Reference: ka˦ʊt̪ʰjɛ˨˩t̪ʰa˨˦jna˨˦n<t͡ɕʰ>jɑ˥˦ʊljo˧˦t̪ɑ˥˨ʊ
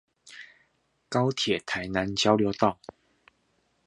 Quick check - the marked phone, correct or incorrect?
incorrect